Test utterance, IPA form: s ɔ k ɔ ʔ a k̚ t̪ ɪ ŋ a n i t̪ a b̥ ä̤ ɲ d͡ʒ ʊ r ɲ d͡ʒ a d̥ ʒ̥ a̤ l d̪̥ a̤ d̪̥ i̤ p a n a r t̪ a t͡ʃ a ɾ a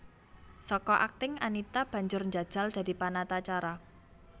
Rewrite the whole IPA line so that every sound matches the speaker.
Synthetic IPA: s ɔ k ɔ ʔ a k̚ t̪ ɪ ŋ a n i t̪ a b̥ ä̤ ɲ d͡ʒ ʊ r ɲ d͡ʒ a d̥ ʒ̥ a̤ l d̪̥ a̤ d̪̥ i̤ p a n a t̪ a t͡ʃ a ɾ a

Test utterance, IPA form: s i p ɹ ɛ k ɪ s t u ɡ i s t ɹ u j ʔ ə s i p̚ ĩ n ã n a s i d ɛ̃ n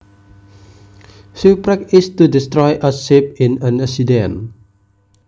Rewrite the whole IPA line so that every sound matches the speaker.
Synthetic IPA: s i p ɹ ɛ k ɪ s t u d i s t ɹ ɔ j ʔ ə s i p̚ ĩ n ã n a s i d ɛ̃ n

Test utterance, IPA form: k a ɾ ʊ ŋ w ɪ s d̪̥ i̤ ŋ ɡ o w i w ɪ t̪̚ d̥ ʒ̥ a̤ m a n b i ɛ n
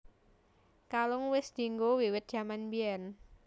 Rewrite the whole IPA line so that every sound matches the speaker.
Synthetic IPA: k a l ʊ ŋ w ɪ s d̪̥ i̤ ŋ ɡ o w i w ɪ t̪̚ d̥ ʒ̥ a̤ m a n b i ɛ n

